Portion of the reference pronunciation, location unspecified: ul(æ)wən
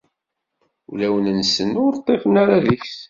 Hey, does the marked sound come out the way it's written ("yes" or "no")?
yes